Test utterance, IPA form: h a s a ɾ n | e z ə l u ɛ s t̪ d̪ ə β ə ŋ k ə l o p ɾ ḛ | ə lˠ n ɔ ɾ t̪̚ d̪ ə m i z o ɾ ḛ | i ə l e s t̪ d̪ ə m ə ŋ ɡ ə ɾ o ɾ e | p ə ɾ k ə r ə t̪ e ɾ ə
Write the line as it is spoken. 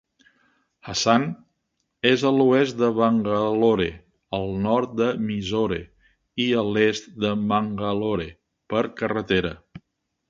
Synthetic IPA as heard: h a s a n | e z ə l u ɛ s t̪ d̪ ə β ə ŋ ɡ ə l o ɾ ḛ | ə lˠ n ɔ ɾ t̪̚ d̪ ə m i z o ɾ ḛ | i ə l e s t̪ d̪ ə m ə ŋ ɡ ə l o ɾ e | p ə ɾ k ə r ə t̪ e ɾ ə